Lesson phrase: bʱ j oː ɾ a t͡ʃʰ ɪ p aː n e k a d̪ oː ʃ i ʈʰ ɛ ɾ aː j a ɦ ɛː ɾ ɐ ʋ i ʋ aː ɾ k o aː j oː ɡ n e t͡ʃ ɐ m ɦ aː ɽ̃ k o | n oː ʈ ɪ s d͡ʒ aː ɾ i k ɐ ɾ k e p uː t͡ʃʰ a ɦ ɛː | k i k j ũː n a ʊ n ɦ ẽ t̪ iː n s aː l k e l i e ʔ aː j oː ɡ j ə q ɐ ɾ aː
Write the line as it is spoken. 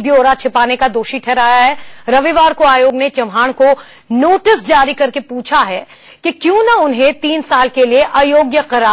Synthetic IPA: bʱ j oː ɾ a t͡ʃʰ ɪ p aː n e k a d̪ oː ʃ i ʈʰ ɛ ɾ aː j a ɦ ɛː ɾ ɐ ʋ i ʋ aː ɾ k o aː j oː ɡ n e t͡ʃ ɐ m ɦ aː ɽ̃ k o | n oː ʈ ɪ s d͡ʒ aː ɾ i k ɐ ɾ k e p uː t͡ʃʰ a ɦ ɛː | k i k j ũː n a ʊ n ɦ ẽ t̪ iː n s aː l k e l i e ʔ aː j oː ɡ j ə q ɐ ɾ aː